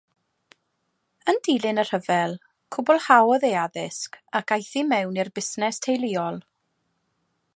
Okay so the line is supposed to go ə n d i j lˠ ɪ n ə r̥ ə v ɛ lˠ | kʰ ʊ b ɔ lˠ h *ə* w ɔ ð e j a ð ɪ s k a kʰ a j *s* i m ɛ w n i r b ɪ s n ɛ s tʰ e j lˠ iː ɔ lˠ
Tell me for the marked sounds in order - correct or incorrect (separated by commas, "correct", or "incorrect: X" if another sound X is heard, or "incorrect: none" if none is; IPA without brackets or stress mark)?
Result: incorrect: a, incorrect: θ